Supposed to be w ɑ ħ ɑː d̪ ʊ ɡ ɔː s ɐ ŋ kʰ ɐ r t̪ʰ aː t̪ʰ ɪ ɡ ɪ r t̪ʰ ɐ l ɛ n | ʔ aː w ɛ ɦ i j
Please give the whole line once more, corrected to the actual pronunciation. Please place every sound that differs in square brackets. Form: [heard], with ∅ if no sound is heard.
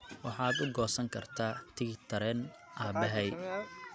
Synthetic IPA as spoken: w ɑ ħ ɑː d̪ ʊ ɡ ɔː s ɐ ŋ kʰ ɐ r t̪ʰ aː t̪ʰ ɪ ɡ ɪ [∅] t̪ʰ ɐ [ɾ] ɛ n | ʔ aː [b] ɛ ɦ [ɛ] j

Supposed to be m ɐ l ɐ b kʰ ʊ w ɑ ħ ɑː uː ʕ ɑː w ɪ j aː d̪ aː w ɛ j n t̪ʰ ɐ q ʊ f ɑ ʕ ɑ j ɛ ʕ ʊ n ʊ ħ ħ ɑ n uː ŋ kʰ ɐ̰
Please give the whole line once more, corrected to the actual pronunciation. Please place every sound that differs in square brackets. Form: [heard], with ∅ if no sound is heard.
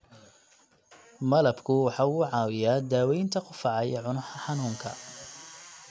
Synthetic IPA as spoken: m ɐ l ɐ b kʰ ʊ w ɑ ħ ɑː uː ʕ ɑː w ɪ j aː d̪ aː w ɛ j n t̪ʰ ɐ q ʊ f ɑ ʕ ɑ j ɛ ʕ ʊ n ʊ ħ ħ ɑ n uː ŋ kʰ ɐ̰

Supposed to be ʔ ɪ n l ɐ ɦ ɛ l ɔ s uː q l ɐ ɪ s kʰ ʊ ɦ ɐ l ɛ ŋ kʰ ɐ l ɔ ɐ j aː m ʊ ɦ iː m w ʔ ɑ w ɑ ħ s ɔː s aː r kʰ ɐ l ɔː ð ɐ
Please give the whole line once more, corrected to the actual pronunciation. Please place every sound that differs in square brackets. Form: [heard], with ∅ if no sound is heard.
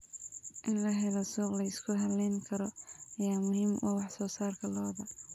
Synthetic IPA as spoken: ʔ ɪ n l ɐ ɦ ɛ l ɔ s uː q l ɐ ɪ s kʰ ʊ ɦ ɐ l ɛ ŋ kʰ ɐ [ɾ] ɔ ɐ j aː m ʊ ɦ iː m w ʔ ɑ w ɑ ħ s ɔː s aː r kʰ ɐ l ɔː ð ɐ

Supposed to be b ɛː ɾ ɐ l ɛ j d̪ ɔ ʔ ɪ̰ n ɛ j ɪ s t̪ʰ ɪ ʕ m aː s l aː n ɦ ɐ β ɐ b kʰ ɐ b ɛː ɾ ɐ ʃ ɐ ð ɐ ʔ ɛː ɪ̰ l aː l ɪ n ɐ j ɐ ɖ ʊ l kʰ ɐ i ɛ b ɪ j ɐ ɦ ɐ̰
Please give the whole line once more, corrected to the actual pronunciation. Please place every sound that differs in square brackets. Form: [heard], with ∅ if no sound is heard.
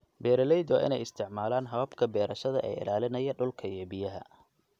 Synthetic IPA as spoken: b ɛː ɾ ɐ l ɛ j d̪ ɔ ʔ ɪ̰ n ɛ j ɪ s t̪ʰ ɪ ʕ m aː [∅] l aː n ɦ ɐ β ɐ b kʰ ɐ b ɛː ɾ ɐ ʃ ɐ ð ɐ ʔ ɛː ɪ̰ l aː l ɪ n ɐ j ɐ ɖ ʊ l kʰ ɐ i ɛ b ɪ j ɐ ɦ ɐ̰

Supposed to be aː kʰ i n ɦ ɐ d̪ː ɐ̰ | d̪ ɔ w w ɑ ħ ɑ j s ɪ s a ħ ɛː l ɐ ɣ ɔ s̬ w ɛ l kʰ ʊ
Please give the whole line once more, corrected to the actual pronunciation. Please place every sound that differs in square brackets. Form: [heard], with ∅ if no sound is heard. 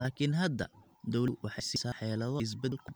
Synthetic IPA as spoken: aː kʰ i n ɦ ɐ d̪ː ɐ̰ | d̪ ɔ w w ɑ ħ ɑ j s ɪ s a ħ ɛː l ɐ [ð] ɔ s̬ [b] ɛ l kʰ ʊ

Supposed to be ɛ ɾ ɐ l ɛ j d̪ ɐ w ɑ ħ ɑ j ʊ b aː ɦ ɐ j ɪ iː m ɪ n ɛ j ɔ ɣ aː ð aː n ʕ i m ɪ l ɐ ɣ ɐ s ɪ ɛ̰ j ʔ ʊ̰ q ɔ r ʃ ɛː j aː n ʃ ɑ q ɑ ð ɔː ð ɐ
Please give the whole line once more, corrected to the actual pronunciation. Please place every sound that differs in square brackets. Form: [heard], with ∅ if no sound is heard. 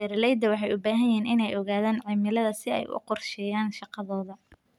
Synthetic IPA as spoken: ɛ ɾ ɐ l ɛ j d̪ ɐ w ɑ ħ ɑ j ʊ b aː ɦ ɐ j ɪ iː [n] ɪ n ɛ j ɔ ɣ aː ð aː n ʕ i m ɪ l ɐ [ð] ɐ s ɪ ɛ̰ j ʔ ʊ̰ q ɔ r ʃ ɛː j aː n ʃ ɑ q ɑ ð ɔː ð ɐ

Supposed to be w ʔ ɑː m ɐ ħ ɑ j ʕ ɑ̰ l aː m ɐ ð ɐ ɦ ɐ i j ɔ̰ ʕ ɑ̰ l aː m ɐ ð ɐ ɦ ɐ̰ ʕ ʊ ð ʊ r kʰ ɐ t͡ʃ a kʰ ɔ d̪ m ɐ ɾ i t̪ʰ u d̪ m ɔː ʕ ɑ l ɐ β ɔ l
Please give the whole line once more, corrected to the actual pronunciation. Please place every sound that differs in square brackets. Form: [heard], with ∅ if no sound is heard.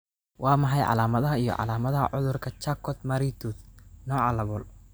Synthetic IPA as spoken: w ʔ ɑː m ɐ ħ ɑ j ʕ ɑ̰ l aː m ɐ ð ɐ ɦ ɐ i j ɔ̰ ʕ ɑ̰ l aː m ɐ ð ɐ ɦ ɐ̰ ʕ ʊ ð ʊ r kʰ ɐ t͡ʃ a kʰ ɔ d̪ m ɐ ɾ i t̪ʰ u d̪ [n] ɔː ʕ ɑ l ɐ β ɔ l

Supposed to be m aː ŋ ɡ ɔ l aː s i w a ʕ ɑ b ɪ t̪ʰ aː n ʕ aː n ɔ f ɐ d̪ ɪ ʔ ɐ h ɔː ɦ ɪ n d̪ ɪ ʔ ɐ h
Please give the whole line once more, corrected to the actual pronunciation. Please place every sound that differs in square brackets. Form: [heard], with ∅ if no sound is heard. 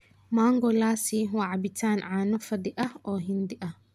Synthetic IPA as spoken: m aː ŋ ɡ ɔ l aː s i w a ʕ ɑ b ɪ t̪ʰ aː n ʕ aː n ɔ f ɐ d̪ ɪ ʔ ɐ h ɔː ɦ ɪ n d̪ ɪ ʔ ɐ h

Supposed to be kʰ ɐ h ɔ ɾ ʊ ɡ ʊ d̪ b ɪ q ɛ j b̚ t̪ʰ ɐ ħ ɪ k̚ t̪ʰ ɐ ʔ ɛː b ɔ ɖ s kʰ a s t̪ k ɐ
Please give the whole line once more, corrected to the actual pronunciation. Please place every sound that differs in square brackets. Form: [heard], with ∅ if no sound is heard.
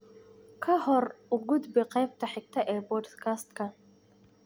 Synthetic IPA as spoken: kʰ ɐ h ɔ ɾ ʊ ɡ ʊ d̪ b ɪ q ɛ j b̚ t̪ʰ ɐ ħ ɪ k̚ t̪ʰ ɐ ʔ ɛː b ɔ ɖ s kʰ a s t̪ k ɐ

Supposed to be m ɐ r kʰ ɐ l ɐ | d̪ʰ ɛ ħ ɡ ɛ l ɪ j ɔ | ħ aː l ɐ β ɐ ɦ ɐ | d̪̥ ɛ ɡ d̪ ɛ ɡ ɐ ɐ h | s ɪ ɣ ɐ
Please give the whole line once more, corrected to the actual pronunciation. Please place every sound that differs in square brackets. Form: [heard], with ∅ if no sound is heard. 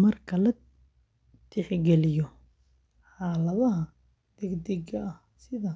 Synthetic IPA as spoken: m ɐ r kʰ ɐ l ɐ | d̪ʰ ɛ ħ ɡ ɛ l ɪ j ɔ | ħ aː l ɐ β ɐ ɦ ɐ | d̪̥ ɛ ɡ d̪ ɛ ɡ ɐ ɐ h | s ɪ [ð] ɐ

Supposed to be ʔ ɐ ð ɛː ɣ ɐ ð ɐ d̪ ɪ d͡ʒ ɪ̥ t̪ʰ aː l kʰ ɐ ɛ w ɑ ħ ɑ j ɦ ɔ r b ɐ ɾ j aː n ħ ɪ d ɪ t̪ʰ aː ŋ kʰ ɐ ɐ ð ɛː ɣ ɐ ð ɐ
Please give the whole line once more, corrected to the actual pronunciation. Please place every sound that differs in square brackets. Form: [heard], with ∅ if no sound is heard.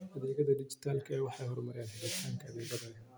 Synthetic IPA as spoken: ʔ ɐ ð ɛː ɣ ɐ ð ɐ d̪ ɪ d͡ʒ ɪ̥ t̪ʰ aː l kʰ ɐ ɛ w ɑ ħ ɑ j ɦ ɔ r [m] ɐ ɾ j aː n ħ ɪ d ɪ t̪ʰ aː ŋ kʰ ɐ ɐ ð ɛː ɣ ɐ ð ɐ

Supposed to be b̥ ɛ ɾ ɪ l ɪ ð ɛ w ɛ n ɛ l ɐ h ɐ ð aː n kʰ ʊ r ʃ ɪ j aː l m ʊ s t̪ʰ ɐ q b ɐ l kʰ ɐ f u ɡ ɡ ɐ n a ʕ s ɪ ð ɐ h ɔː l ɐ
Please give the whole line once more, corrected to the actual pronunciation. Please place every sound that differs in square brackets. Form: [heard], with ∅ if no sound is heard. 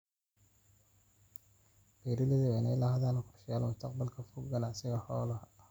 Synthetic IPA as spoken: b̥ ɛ ɾ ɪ l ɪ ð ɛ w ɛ n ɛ l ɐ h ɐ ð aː n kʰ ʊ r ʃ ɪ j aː l m ʊ s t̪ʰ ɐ q b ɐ l kʰ ɐ f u ɡ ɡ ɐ n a ʕ s ɪ [ɣ] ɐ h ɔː l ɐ

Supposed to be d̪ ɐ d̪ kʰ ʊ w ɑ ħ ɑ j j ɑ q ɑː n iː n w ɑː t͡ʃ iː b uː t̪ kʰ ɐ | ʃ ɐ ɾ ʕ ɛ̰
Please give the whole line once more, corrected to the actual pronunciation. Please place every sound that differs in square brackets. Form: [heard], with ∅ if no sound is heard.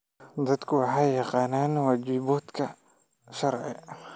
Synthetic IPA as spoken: d̪ ɐ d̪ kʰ ʊ w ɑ ħ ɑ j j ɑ q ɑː n [aː] n w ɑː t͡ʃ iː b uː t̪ kʰ ɐ | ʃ ɐ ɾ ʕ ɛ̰

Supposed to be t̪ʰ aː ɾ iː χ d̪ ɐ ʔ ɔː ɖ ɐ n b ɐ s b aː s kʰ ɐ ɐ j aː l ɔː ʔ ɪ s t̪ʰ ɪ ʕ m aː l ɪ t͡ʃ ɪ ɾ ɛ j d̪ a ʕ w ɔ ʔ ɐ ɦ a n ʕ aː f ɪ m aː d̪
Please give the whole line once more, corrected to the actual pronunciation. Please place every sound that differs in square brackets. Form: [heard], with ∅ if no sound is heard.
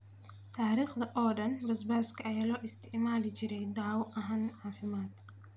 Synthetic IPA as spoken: t̪ʰ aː ɾ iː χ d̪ ɐ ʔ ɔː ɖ ɐ n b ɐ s b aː s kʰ ɐ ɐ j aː l ɔː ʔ ɪ s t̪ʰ ɪ ʕ m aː l ɪ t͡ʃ ɪ ɾ ɛ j d̪ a ʕ w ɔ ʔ ɐ ɦ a n ʕ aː f ɪ m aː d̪

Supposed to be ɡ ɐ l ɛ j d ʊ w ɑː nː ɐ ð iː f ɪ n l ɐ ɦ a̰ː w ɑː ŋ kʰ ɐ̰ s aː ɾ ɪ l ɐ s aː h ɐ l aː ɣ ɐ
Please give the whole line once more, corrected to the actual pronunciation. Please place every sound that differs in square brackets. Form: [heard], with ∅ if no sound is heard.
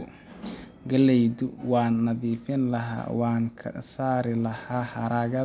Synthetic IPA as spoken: ɡ ɐ l ɛ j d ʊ w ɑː nː ɐ ð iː f ɪ n l ɐ ɦ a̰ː w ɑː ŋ kʰ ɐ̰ s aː ɾ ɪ l ɐ [h] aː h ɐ [ɾ] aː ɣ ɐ

